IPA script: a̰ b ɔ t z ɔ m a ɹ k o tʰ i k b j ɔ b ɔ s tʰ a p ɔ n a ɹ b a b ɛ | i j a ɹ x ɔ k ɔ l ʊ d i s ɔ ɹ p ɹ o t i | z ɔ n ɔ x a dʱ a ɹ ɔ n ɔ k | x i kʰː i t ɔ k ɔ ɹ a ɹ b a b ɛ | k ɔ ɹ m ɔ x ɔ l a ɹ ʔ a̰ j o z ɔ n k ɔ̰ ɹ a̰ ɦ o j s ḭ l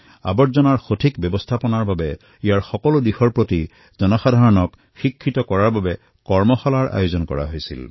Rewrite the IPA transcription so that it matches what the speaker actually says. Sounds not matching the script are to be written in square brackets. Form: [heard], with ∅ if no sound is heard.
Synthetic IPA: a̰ b ɔ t z ɔ [n] a ɹ [x] o tʰ i k b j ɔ b ɔ s tʰ a p ɔ n a ɹ b a b ɛ | i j a ɹ x ɔ k ɔ l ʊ d i [x] ɔ ɹ p ɹ o t i | z ɔ n ɔ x a dʱ a ɹ ɔ n ɔ k | x i kʰː i t ɔ k ɔ ɹ a ɹ b a b ɛ | k ɔ ɹ m ɔ x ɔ l a ɹ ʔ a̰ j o z ɔ n k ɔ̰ ɹ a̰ ɦ o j s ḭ l

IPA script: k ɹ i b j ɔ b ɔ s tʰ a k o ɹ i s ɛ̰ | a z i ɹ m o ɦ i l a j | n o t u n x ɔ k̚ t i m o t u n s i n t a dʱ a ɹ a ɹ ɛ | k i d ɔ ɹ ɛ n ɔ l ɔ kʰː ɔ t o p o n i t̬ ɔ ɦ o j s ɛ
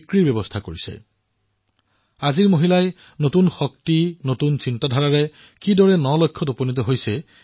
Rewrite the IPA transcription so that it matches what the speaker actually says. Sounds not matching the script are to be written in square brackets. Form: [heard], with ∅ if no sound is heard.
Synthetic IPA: k ɹ i b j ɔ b ɔ s tʰ a k o ɹ i s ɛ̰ | a z i ɹ m o ɦ i l a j | n o t u n x ɔ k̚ t i [n] o t u n s i n t a dʱ a ɹ a ɹ ɛ | k i d ɔ ɹ ɛ n ɔ l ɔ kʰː ɔ t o p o n i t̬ ɔ ɦ o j s ɛ

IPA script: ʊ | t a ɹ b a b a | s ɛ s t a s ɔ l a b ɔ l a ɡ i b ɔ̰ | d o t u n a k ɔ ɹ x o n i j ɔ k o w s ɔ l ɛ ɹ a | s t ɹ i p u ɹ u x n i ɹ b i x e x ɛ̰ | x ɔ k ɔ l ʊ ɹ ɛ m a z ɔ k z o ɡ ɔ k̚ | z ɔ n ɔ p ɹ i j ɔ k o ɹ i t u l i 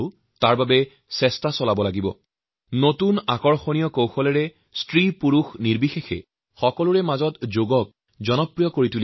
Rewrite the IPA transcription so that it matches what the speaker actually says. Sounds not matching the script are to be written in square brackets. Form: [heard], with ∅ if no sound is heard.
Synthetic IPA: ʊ | t a ɹ b a b [ɛ] | s ɛ s t a s ɔ l a b ɔ l a ɡ i b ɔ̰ | [n] o t u n a k ɔ ɹ x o n i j ɔ k o w [x] ɔ l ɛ ɹ [ɛ] | s t ɹ i p u ɹ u x n i ɹ b i x e x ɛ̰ | x ɔ k ɔ l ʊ ɹ ɛ m a z ɔ [t] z o ɡ ɔ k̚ | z ɔ n ɔ p ɹ i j ɔ k o ɹ i t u l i

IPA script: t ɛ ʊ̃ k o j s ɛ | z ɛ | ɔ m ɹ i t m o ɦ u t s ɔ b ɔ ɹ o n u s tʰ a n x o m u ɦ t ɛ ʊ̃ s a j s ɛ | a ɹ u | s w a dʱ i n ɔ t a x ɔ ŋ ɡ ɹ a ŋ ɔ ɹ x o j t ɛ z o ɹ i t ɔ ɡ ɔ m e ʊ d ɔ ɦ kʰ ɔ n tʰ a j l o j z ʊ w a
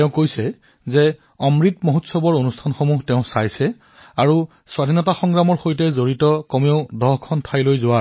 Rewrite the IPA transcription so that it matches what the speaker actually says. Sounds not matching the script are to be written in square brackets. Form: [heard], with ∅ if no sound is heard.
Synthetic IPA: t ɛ ʊ̃ k o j s ɛ | z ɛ | ɔ m ɹ i t m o ɦ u t s ɔ b ɔ ɹ o n u s tʰ a n x o m u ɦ t ɛ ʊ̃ s a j s ɛ | a ɹ u | s w a dʱ i n ɔ t a x ɔ ŋ ɡ ɹ a [m] ɔ ɹ x o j t ɛ z o ɹ i t ɔ [k] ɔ m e ʊ d ɔ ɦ kʰ ɔ n tʰ a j l o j z ʊ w a

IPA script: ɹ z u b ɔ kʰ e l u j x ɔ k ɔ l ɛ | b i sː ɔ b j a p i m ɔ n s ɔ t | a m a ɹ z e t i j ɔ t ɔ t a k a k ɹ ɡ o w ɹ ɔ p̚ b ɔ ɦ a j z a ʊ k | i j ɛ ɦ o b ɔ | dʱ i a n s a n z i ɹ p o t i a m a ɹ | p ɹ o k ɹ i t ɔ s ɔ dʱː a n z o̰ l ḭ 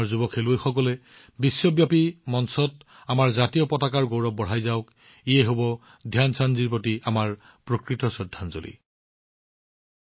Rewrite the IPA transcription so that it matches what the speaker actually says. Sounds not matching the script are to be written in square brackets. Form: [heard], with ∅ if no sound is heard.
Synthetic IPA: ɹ z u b ɔ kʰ e l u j x ɔ k ɔ l ɛ | b i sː ɔ b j a p i m ɔ n s ɔ t | a m a ɹ z [a] t i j ɔ [p] ɔ t a k a [∅] ɹ ɡ o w ɹ ɔ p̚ b ɔ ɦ a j z a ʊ k | i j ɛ ɦ o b ɔ | dʱ [j] a n s a n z i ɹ p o t i a m a ɹ | p ɹ o k ɹ i t ɔ s ɔ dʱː a n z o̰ l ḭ

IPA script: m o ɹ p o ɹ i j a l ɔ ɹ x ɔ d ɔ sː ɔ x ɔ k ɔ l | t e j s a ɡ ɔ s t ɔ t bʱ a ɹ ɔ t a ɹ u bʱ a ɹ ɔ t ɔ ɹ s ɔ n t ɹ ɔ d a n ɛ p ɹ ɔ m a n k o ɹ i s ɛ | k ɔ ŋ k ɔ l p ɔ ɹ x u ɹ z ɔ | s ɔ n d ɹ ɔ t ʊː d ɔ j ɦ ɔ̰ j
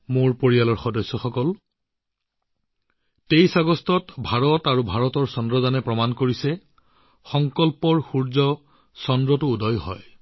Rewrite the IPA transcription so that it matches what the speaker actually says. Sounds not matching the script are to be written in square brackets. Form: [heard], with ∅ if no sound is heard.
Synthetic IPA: m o ɹ p o ɹ i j a l ɔ ɹ x ɔ d ɔ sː ɔ x ɔ k ɔ l | t e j s a ɡ ɔ s t ɔ t bʱ a ɹ ɔ t a ɹ u bʱ a ɹ ɔ t ɔ ɹ s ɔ n [d] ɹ ɔ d a n ɛ p ɹ ɔ m a n k o ɹ i s ɛ | [x] ɔ ŋ k ɔ l p ɔ ɹ x u ɹ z ɔ | s ɔ n d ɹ ɔ t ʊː d ɔ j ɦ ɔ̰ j

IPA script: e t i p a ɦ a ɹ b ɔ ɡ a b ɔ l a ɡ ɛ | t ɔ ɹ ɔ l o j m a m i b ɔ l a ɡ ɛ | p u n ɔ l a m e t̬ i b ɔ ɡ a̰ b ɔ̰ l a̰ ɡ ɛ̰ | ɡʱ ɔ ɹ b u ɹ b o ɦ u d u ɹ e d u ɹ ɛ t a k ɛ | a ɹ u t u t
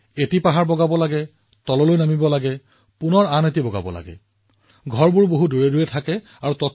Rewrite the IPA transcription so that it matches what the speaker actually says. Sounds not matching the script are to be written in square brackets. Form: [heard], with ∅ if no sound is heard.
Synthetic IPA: e t i p a ɦ a ɹ b ɔ ɡ a b ɔ l a ɡ ɛ | t ɔ [l] ɔ l o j [n] a m i b ɔ l a ɡ ɛ | p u n ɔ [ɹ] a [n] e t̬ i b ɔ ɡ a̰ b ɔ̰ l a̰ ɡ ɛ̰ | ɡʱ ɔ ɹ b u ɹ b o ɦ u d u ɹ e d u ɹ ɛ [tʰ] a k ɛ | a ɹ u t [ɔ] t

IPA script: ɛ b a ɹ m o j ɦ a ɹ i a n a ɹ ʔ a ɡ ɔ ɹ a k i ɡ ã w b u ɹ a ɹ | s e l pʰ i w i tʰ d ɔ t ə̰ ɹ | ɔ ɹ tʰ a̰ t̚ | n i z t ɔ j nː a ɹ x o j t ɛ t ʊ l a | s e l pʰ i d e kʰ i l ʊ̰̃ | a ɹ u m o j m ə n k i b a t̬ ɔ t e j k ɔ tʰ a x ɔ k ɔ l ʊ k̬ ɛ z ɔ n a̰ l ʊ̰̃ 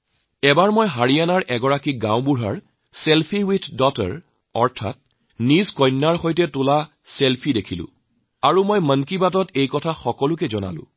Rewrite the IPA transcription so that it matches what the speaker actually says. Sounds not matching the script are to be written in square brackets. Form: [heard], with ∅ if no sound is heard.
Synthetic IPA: ɛ b a ɹ m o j ɦ a ɹ i a n a ɹ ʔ [ɛ] ɡ ɔ ɹ a k i ɡ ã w b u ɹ a ɹ | s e l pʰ i w i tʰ d ɔ t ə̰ ɹ | ɔ ɹ tʰ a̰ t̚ | n i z [k] ɔ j nː a ɹ x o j t ɛ t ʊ l a | s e l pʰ i d e kʰ i l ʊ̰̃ | a ɹ u m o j m ə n k i b a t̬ ɔ t e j k ɔ tʰ a x ɔ k ɔ l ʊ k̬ ɛ z ɔ n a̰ l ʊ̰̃

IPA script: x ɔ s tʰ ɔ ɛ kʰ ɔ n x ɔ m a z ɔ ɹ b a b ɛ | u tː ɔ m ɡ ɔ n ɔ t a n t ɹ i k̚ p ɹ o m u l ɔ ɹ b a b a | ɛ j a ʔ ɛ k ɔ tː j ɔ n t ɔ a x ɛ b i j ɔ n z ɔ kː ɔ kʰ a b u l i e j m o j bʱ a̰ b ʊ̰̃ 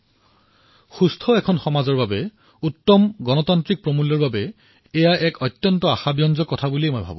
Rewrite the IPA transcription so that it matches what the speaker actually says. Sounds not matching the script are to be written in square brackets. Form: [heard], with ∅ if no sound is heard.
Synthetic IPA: x [u] s tʰ ɔ ɛ kʰ ɔ n x ɔ m a z ɔ ɹ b a b ɛ | u tː ɔ m ɡ ɔ n ɔ t a n t ɹ i k̚ p ɹ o m u l ɔ ɹ b a b [ɛ] | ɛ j a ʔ ɛ k ɔ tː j ɔ n t ɔ a x [a] b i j ɔ n z ɔ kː ɔ [tʰ] a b u l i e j m o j bʱ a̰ b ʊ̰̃

